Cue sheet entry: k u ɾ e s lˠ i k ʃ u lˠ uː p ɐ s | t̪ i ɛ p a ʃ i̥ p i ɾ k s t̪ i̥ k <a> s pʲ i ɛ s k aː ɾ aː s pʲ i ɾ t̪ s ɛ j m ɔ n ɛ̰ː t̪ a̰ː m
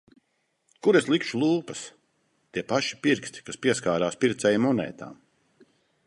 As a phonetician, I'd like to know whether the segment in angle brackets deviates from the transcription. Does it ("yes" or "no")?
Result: no